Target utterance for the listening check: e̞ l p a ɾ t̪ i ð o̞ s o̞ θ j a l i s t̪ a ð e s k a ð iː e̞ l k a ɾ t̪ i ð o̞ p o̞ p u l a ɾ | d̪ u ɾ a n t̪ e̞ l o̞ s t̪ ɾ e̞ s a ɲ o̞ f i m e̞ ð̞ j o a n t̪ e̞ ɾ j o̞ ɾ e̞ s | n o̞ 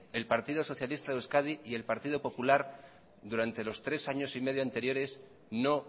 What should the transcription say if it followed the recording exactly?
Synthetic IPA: e̞ l p a ɾ t̪ i ð o̞ s o̞ θ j a l i s t̪ a ð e s k a ð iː e̞ l p a ɾ t̪ i ð o̞ p o̞ p u l a ɾ | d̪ u ɾ a n t̪ e̞ l o̞ s t̪ ɾ e̞ s a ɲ o̞ s i m e̞ ð̞ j o a n t̪ e̞ ɾ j o̞ ɾ e̞ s | n o̞